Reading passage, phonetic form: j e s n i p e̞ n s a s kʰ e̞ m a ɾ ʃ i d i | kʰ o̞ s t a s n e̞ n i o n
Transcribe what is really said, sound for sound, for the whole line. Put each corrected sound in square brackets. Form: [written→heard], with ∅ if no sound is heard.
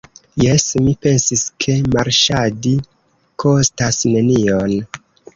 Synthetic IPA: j e s [n→m] i p e̞ n s [a→i] s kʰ e̞ m a ɾ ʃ [i→a] d i | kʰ o̞ s t a s n e̞ n i o n

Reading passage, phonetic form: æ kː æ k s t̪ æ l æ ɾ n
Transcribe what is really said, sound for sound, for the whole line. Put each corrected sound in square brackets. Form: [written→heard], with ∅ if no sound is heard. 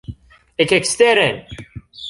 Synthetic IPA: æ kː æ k s t̪ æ [l→ɾ] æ [ɾ→∅] n

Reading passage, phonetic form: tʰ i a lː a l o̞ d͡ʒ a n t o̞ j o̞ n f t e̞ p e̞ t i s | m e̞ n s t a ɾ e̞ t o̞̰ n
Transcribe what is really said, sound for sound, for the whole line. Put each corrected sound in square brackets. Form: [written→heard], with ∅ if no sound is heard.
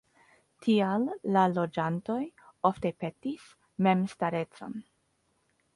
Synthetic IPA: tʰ i a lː a l o̞ d͡ʒ a n t o̞ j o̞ [n→∅] f t e̞ p e̞ t i s | m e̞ [n→m] s t a ɾ e̞ [t→t͡s] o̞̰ n

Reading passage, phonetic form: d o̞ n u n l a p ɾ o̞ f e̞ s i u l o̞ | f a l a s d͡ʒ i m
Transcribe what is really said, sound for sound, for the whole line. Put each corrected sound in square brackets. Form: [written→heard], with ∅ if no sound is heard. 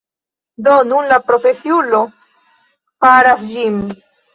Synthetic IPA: d o̞ n u n l a p ɾ o̞ f e̞ s i u l o̞ | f a [l→ɾ] a s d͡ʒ i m

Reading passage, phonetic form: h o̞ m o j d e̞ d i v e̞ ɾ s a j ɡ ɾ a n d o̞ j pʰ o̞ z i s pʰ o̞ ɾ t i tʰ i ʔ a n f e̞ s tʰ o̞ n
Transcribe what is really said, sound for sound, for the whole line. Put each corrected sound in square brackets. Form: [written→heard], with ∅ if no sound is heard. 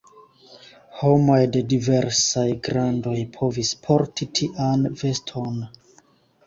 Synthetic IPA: h o̞ m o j d e̞ d i v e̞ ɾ s a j ɡ ɾ a n d o̞ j pʰ o̞ [z→v] i s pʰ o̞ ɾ t i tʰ i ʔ a n [f→v] e̞ s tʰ o̞ n

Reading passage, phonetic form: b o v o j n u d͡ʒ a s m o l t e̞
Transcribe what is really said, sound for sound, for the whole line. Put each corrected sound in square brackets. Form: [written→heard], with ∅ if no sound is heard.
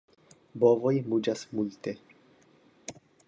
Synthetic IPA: b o v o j [n→m] u d͡ʒ a s m [o→u] l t e̞

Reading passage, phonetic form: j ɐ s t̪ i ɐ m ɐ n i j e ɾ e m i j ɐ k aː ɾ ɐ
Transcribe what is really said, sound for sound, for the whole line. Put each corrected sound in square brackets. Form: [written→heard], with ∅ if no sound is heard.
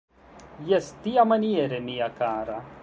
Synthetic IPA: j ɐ s t̪ i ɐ m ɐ n i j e ɾ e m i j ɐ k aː ɾ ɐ

